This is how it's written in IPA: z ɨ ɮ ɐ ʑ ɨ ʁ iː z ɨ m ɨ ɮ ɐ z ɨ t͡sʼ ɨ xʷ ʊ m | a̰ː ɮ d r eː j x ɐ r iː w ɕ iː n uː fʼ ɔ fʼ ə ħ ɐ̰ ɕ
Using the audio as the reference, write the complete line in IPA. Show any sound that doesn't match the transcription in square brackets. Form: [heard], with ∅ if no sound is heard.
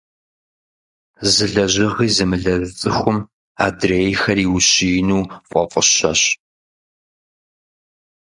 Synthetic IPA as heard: z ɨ ɮ ɐ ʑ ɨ ʁ iː z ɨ m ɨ ɮ ɐ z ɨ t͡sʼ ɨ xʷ ʊ m | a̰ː [∅] d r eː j x ɐ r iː w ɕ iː n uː fʼ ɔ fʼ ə [ɕ] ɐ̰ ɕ